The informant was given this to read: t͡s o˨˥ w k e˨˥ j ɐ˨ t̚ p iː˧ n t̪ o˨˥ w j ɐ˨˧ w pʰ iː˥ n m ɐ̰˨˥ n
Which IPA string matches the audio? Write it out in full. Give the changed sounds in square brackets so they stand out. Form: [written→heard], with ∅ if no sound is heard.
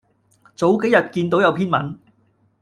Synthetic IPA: t͡s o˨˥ w k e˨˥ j ɐ˨ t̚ [p→k] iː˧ n t̪ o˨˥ w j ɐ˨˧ w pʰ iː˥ n m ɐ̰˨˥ n